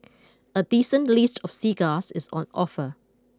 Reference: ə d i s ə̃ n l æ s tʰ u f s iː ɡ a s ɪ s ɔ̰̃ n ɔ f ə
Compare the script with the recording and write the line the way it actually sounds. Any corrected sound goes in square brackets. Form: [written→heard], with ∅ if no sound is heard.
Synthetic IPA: ə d i s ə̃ n l [æ→i] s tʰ [u→ɔ] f s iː ɡ a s ɪ s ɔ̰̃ n ɔ f ə